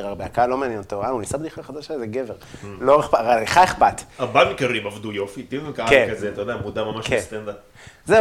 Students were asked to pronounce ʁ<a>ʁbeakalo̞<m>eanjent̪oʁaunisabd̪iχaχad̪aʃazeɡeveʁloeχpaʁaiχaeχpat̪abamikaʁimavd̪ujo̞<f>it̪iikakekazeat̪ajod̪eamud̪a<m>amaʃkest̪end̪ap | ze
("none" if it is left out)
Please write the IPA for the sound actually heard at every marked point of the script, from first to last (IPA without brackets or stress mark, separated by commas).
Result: a, m, f, m